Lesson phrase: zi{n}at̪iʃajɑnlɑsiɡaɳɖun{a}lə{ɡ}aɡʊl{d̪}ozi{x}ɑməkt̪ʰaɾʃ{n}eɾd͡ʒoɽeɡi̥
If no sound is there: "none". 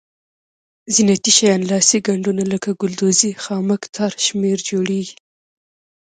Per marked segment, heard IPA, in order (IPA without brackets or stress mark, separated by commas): n, a, k, d̪, x, m